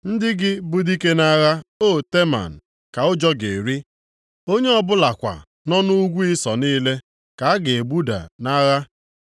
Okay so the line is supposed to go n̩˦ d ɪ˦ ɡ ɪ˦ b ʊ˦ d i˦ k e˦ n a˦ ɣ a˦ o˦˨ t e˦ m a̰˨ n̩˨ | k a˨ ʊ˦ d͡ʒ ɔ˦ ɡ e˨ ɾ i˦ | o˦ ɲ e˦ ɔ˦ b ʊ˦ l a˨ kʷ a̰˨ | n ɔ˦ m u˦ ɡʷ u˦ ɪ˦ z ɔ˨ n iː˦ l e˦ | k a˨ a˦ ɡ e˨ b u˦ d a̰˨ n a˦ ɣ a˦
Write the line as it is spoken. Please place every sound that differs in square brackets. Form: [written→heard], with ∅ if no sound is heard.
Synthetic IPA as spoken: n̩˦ d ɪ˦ ɡ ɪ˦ b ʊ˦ d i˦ k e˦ n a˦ ɣ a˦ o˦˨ t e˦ m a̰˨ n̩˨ | k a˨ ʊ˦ d͡ʒ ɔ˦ ɡ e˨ ɾ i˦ | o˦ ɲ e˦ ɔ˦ b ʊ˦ l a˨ kʷ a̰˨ | n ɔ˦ [m→n] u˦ ɡʷ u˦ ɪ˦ [z→s] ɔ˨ n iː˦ l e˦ | k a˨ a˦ ɡ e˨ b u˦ d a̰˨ n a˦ ɣ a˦